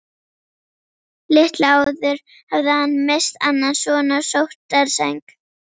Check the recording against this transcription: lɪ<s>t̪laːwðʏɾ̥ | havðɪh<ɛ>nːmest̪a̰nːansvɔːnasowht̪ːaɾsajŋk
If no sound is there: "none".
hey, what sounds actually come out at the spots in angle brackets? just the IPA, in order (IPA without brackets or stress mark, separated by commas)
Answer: h, a